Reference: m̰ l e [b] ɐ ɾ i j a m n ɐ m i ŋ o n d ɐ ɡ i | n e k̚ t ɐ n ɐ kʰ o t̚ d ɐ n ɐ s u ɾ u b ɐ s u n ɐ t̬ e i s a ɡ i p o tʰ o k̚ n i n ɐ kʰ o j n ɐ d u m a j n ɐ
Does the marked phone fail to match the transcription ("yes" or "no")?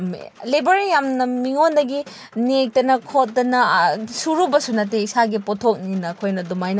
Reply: no